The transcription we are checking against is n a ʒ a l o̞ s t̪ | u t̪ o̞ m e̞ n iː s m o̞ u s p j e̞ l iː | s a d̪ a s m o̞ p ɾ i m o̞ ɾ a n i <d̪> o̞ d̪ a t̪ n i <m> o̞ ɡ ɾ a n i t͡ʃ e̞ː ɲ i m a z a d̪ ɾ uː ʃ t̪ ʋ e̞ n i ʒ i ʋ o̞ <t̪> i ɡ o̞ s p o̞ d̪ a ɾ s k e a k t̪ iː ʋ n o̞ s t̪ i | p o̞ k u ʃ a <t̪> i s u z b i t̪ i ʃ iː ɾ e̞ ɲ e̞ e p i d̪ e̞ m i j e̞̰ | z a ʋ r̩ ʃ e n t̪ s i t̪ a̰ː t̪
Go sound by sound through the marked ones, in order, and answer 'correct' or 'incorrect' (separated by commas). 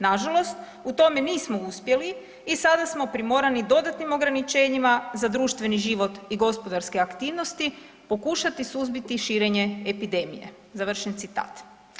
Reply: correct, correct, correct, correct